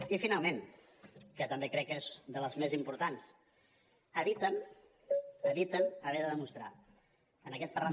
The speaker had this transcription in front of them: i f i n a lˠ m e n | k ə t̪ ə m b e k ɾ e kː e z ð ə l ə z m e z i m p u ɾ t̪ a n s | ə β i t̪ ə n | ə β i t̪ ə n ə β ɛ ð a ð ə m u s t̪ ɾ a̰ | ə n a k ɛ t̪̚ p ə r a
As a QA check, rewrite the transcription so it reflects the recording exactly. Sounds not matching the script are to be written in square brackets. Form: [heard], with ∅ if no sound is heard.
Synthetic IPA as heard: i f i n a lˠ m e n | k ə t̪ ə m b e k ɾ [ɛ] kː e z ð ə l ə z m e z i m p u ɾ t̪ a n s | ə β i t̪ ə n | ə β i t̪ ə n ə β ɛ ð [ə] ð ə m u s t̪ ɾ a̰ | ə n [ə] k ɛ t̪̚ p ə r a

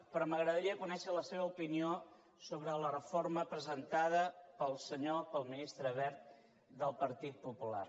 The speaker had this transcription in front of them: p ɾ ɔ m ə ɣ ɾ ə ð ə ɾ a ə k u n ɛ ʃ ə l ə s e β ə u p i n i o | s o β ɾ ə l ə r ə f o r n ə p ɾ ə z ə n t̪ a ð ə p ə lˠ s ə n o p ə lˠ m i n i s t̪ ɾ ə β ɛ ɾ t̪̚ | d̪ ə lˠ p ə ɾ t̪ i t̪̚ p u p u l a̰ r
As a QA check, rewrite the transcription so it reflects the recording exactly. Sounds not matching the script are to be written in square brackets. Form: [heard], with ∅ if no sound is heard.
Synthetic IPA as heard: p ɾ ɔ m ə ɣ ɾ ə ð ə ɾ [i] ə k u n ɛ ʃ ə l ə s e β ə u p i n i o | s o β ɾ ə l ə r ə f o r [m] ə p ɾ ə z ə n t̪ a ð ə p ə lˠ s ə [ɲ] o p ə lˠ m i n i s t̪ ɾ ə β ɛ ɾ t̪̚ | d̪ ə lˠ p ə ɾ t̪ i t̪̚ p u p u l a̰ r

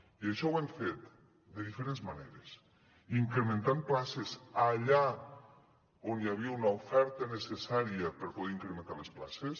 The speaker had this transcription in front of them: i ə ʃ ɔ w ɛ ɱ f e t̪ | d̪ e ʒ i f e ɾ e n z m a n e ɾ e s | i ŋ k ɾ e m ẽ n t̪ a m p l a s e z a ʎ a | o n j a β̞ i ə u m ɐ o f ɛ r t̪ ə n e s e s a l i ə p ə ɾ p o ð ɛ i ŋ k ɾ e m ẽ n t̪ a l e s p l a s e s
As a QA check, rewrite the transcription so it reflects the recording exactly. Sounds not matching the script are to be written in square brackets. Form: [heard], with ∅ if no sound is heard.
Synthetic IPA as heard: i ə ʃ ɔ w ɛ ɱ f e t̪ | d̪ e [ð] i f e ɾ e n z m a n e ɾ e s | i ŋ k ɾ e m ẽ n t̪ a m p l a s e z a ʎ a | o n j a β̞ i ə u [n] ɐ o f ɛ [ɾ] t̪ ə n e s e s a [ɾ] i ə p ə ɾ p o ð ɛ i ŋ k ɾ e m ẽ n t̪ a l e s p l a s e s

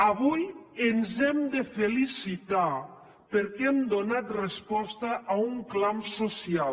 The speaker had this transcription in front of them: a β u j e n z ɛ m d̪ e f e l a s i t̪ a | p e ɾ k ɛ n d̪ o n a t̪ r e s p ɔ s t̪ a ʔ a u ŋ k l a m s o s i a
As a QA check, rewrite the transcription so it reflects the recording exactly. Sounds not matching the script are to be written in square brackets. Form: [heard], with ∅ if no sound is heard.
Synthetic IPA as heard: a β u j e n z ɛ m d̪ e f e l [i] s i t̪ a | p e ɾ k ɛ [m] d̪ o n a t̪ r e s p ɔ s t̪ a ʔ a u ŋ k l a m s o s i a

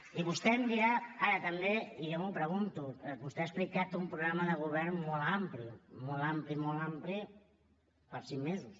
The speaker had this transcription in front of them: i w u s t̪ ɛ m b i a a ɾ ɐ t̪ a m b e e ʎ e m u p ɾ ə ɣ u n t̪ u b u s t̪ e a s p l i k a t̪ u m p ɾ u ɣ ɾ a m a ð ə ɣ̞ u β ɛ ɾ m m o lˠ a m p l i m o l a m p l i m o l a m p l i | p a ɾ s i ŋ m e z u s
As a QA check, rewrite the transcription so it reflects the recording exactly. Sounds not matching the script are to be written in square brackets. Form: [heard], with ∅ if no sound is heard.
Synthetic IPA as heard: i [β] u s t̪ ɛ m b i a a ɾ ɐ t̪ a m b e [i] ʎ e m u p ɾ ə ɣ u n t̪ u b u s t̪ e a s p l i k a t̪ u m p ɾ u ɣ ɾ a m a ð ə ɣ̞ u β ɛ ɾ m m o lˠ a m p l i m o l a m p l i m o l a m p l i | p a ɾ s i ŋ m e z u s

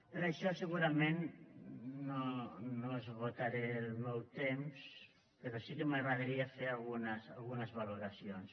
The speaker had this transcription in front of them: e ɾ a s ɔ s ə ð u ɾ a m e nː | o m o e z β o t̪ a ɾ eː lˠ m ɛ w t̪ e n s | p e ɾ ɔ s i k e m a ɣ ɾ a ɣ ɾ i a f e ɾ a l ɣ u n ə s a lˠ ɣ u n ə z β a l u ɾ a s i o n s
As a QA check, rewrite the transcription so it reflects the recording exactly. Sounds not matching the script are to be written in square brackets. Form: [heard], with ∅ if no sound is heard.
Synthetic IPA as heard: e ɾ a [ʃ] ɔ s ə [ɣ] u ɾ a m e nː | o [n] o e z β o t̪ a ɾ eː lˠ m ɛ w t̪ e [m] s | p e ɾ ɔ s i k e m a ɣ ɾ a [ð] ɾ i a f e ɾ a l ɣ u n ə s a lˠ ɣ u n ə z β a l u ɾ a s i o n s

